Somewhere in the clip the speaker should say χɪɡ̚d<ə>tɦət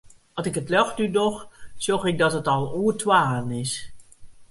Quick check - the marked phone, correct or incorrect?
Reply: incorrect: ɑ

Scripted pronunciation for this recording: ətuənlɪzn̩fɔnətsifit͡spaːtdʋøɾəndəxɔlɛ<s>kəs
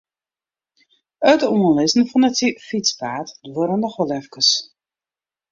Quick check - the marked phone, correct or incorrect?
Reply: incorrect: f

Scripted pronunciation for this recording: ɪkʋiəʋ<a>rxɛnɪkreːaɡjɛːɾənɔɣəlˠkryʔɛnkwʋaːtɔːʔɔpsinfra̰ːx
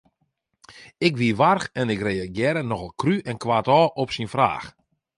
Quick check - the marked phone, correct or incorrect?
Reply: correct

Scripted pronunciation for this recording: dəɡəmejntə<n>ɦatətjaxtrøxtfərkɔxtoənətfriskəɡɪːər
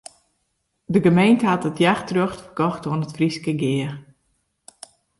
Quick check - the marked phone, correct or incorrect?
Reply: incorrect: none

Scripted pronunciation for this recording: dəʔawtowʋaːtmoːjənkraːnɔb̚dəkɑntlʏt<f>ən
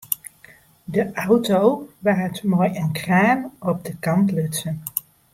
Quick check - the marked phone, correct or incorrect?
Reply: incorrect: s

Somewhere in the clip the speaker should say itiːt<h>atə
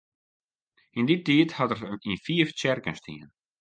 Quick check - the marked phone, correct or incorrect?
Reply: correct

